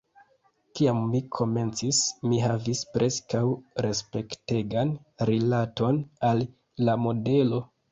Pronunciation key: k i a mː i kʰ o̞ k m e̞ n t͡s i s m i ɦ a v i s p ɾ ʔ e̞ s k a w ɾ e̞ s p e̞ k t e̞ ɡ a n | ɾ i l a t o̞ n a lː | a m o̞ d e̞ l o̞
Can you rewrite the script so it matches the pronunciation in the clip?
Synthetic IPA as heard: k i a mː i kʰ o̞ m e̞ n t͡s i s m i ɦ a v i s p ɾ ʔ e̞ s k a w ɾ e̞ s p e̞ k t e̞ ɡ a n | ɾ i l a t o̞ n a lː | a m o̞ d e̞ l o̞